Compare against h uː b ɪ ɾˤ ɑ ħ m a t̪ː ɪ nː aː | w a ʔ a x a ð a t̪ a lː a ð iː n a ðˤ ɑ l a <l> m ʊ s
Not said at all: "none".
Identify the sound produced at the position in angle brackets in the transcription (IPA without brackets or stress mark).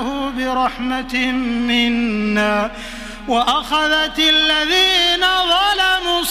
none